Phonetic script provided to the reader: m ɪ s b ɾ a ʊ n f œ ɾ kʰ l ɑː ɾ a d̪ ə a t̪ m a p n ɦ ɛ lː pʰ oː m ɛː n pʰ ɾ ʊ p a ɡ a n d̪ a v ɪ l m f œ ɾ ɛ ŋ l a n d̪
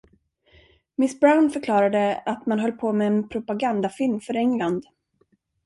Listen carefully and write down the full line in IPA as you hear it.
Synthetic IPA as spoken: m ɪ s b ɾ a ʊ n f œ ɾ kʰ l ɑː ɾ a d̪ ə a t̪ m a n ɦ œ lː pʰ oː m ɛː n pʰ ɾ ʊ p a ɡ a n d̪ a f ɪ l m f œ ɾ ɛ ŋ l a n d̪

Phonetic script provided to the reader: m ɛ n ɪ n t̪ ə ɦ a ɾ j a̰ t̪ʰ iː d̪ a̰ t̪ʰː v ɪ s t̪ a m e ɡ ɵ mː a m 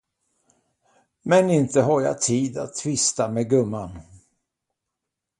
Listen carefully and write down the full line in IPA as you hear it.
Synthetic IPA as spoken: m ɛ n ɪ n t̪ ə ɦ a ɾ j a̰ t̪ʰ iː d̪ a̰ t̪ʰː v ɪ s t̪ a m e ɡ ɵ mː a n

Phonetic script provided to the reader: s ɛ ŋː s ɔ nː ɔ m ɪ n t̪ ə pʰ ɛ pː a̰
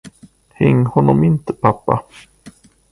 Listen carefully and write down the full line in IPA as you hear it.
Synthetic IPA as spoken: h ɛ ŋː h ɔ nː ɔ m ɪ n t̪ ə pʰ a pː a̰

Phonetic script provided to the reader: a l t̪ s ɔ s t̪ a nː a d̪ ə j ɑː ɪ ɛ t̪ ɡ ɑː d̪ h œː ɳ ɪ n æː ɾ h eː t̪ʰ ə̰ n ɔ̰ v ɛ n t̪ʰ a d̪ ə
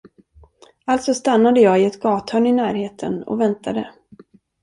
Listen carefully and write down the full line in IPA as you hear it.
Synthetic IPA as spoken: a l t̪ s ɔ s t̪ a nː a d̪ ə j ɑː ɪ ɛ t̪ ɡ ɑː t̪ h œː ɳ ɪ n æː ɾ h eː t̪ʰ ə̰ n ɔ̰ v ɛ n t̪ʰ a d̪ ə

